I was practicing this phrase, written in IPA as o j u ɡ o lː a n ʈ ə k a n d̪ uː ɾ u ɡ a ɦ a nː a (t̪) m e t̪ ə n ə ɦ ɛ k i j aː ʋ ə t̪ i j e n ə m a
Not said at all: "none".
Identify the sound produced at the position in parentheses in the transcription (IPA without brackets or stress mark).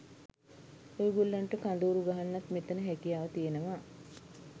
t̪